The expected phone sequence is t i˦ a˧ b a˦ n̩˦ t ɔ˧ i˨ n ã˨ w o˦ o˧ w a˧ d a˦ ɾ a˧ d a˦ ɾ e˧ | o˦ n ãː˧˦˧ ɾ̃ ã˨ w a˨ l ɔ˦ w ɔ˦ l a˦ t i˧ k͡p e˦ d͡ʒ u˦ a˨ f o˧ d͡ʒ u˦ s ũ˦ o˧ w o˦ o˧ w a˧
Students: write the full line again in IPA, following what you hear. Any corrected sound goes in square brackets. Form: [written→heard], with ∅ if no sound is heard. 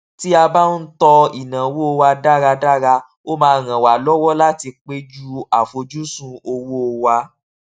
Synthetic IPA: t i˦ a˧ b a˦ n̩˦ t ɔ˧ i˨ n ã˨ w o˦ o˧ w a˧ d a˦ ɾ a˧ d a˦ ɾ [e˧→a˧] | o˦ [n→m] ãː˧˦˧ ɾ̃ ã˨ w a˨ l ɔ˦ w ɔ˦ l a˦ t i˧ k͡p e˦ d͡ʒ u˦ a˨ f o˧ d͡ʒ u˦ s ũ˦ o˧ w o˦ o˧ w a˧